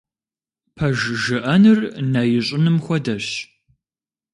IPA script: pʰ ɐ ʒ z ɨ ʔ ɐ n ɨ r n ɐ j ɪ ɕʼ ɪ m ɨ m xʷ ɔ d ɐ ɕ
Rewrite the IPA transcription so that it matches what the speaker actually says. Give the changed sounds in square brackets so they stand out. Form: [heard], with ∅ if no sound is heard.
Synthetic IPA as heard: pʰ ɐ ʒ [ʒ] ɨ ʔ ɐ n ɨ r n ɐ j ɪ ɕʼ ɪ [n] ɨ m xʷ ɔ d ɐ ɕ